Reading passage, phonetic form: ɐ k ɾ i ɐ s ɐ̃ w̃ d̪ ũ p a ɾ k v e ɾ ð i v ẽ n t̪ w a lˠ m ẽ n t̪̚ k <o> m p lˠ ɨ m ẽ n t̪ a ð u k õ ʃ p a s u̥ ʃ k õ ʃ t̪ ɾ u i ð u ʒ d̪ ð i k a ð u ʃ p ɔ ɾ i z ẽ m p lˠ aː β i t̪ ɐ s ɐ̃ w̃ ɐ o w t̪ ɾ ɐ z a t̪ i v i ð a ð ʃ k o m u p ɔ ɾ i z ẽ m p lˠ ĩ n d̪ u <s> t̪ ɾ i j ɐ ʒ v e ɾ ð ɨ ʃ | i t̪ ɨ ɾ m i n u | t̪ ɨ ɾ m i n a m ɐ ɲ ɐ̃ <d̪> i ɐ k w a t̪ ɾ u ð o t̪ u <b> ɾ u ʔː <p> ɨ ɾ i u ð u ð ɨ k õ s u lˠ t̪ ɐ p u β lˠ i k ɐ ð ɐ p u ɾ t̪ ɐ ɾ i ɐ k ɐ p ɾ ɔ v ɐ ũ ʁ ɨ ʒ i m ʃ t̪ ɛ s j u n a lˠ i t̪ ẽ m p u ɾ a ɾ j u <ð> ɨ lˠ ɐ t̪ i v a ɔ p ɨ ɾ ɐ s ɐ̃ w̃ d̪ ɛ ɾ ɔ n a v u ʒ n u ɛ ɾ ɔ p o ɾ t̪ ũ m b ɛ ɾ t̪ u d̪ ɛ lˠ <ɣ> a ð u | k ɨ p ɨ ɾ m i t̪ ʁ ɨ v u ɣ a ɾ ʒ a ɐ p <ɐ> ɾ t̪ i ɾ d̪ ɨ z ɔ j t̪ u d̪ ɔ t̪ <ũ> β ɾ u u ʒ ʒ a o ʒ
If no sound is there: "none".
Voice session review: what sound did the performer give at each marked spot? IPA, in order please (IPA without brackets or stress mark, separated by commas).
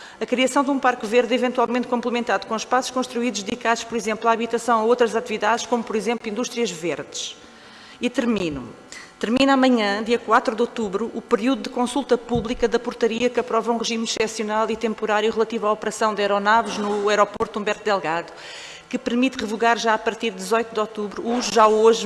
õ, ʃ, d̪, β, p, ʁ, ɣ, ɐ, u